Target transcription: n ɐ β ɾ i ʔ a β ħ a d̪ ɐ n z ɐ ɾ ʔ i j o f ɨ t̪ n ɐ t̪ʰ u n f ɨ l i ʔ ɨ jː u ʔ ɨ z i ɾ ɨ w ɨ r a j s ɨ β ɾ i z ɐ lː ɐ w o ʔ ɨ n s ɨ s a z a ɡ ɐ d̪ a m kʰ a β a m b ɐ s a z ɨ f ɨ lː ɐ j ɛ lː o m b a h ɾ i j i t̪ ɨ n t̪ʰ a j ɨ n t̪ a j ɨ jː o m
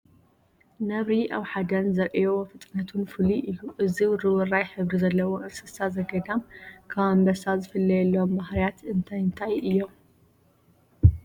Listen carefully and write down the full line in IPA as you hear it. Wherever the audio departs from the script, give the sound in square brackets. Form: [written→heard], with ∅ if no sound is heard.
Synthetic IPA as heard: n ɐ β ɾ i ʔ a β ħ a d̪ ɐ n z ɐ ɾ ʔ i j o f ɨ [t̪→t̪ʼ] n ɐ t̪ʰ u n f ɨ l i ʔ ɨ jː u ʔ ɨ z i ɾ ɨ w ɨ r a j [s→ħ] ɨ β ɾ i z ɐ lː ɐ w o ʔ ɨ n s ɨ s a z [a→ɐ] ɡ ɐ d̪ a m kʰ a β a m b ɐ s a z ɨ f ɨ lː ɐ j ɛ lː o m b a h ɾ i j [i→a] t̪ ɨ n t̪ʰ a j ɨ n [t̪→t̪ʰ] a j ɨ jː o m

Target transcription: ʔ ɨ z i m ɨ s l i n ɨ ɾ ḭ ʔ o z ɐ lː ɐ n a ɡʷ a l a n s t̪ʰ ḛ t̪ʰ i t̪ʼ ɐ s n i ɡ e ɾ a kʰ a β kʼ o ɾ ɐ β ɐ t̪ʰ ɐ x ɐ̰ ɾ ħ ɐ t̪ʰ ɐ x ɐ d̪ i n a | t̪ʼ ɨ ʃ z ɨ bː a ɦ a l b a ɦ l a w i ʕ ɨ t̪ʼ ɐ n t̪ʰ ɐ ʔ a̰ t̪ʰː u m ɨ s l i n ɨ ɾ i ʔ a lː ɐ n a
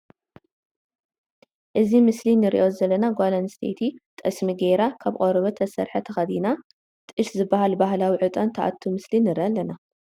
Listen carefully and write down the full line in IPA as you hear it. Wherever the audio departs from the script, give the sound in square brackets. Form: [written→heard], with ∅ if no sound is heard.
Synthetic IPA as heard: ʔ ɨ z i m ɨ s l i n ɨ ɾ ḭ ʔ o z ɐ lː ɐ n a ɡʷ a l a n s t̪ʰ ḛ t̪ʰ i t̪ʼ ɐ s [n→m] i ɡ e ɾ a kʰ a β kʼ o ɾ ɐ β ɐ t̪ʰ ɐ [x→s] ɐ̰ ɾ ħ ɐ t̪ʰ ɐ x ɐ d̪ i n a | t̪ʼ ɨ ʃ z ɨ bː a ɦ a l b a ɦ l a w i ʕ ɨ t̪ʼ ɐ n t̪ʰ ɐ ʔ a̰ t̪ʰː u m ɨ s l i n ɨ ɾ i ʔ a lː ɐ n a

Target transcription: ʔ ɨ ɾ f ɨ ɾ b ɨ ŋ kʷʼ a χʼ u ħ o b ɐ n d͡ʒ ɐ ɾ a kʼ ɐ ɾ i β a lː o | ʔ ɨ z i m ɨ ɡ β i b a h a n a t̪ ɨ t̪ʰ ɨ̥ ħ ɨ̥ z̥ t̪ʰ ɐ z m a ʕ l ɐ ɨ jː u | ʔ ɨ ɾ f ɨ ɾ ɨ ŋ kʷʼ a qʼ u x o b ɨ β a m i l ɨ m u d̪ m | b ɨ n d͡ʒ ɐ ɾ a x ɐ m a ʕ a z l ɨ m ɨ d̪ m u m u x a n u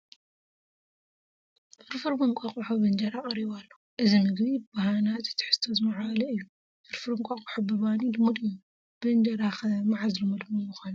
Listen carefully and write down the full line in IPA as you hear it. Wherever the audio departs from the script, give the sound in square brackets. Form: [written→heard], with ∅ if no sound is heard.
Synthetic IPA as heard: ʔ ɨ ɾ f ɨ ɾ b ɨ ŋ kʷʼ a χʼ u ħ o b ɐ n d͡ʒ ɐ ɾ a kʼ ɐ ɾ i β a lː o | ʔ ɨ z i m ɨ ɡ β i b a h a n a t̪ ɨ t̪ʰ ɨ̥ ħ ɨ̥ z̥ t̪ʰ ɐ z m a ʕ l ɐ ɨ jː u | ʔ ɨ ɾ f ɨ ɾ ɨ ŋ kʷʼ a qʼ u [x→ħ] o b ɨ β a [m→n] i l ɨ m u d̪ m | b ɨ n d͡ʒ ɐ ɾ a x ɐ m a ʕ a z l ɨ m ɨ d̪ m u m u x a n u

